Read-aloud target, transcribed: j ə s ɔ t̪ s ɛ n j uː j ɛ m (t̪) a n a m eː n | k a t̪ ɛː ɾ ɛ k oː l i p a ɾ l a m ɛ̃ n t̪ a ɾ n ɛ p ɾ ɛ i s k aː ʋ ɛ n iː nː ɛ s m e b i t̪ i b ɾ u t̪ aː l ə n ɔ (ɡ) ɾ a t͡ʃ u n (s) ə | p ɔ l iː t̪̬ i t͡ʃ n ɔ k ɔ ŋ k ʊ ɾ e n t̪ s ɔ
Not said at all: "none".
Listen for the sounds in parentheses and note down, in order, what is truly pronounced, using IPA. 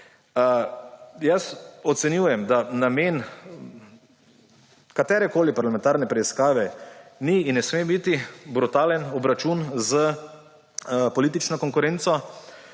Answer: d̪, b, z

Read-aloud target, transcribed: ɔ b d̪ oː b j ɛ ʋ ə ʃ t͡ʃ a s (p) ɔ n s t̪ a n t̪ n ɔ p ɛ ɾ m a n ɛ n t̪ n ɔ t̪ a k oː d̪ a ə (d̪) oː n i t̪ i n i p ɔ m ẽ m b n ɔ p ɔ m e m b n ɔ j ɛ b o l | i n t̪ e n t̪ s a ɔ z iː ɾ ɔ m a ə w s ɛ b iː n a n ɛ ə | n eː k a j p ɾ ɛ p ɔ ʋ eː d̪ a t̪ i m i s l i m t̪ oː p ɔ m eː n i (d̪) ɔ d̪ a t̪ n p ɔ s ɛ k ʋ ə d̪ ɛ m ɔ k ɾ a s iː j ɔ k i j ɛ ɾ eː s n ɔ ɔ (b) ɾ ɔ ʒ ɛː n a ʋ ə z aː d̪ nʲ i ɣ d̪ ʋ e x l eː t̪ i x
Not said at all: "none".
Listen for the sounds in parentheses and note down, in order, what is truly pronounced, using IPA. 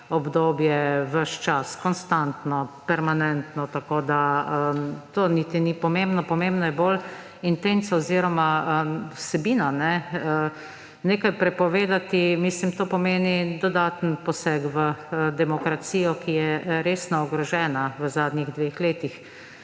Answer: k, t̪, d̪, ɡ

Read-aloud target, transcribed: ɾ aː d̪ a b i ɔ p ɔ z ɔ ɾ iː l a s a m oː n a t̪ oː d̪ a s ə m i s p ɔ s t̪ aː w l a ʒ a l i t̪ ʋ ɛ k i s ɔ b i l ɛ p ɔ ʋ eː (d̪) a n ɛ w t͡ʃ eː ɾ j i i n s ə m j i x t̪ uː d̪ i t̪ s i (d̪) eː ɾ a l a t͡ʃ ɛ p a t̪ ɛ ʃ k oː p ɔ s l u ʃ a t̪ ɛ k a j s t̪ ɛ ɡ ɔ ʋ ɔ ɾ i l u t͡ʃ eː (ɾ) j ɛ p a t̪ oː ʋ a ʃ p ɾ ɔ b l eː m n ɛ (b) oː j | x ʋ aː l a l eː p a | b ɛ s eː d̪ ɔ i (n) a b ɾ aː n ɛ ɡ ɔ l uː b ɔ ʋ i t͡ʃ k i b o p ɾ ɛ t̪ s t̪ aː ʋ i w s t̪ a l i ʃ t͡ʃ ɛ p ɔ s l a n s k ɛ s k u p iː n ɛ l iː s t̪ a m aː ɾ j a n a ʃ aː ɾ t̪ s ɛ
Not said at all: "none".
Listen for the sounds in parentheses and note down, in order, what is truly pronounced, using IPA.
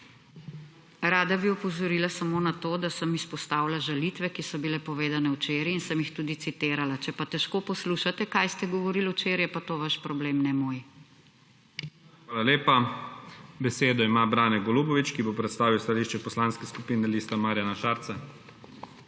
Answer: d̪, t̪, ɾ, m, m

